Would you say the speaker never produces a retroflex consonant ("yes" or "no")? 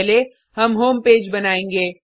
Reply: yes